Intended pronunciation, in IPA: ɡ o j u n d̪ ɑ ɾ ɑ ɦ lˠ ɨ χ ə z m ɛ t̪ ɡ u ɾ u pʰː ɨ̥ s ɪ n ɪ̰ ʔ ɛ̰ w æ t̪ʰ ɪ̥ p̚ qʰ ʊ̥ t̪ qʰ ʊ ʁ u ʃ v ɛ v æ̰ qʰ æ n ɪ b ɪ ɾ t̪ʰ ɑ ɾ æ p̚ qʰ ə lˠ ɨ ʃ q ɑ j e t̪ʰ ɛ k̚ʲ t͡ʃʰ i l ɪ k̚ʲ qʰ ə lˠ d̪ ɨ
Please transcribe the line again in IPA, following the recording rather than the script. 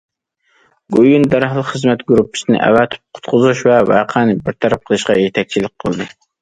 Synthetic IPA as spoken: ɡ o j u n d̪ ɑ ɾ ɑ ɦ lˠ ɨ χ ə z m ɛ t̪ ɡ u ɾ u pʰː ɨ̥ s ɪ n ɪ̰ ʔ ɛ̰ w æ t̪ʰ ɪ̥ p̚ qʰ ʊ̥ t̪ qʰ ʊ z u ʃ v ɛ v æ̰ qʰ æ n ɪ b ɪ ɾ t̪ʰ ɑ ɾ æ p̚ qʰ ə lˠ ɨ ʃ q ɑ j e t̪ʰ ɛ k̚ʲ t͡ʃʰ i l ɪ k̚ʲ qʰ ə lˠ d̪ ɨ